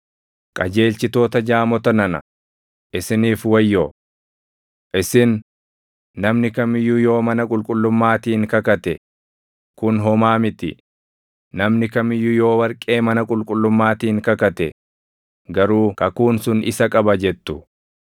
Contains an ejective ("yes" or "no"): yes